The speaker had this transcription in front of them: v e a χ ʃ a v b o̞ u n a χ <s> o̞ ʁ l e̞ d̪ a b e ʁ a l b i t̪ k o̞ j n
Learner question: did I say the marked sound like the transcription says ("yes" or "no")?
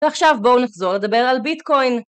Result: no